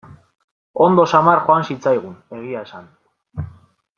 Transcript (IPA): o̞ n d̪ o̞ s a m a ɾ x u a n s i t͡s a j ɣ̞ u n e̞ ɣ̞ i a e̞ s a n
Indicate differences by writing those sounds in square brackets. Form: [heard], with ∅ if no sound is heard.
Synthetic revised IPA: o̞ n d̪ o̞ s a m a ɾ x [o] a n s i t͡s a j ɣ̞ u n e̞ ɣ̞ i a e̞ s a n